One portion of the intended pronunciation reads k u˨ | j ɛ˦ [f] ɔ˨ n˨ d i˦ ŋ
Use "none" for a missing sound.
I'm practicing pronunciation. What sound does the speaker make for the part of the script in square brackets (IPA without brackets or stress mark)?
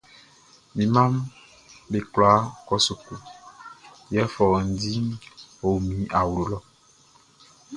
f